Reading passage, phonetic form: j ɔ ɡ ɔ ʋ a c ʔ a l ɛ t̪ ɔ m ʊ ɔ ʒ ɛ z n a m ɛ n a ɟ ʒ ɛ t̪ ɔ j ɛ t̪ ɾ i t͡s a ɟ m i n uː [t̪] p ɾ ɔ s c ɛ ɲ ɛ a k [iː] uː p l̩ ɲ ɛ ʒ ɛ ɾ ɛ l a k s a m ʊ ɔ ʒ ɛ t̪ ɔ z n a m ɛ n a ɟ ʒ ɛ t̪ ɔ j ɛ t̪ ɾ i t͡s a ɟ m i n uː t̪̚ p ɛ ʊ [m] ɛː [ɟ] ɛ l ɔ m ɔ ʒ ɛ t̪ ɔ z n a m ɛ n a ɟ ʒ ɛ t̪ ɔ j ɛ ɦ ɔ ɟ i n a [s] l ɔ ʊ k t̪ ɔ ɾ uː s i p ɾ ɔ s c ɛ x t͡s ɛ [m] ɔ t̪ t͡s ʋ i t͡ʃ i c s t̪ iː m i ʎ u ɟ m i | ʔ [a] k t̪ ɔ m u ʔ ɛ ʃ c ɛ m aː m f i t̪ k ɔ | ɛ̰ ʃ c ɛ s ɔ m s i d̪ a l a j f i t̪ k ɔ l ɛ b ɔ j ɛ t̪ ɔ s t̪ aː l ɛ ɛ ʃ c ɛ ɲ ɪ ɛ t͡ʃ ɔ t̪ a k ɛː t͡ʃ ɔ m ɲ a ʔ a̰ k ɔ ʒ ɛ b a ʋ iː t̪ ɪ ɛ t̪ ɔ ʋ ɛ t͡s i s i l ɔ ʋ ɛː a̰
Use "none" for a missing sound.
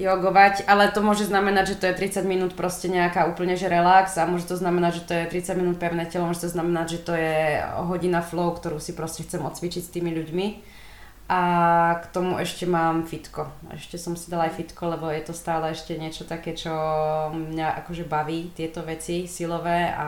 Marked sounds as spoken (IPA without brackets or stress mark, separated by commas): t̪, aː, n, c, f, m, a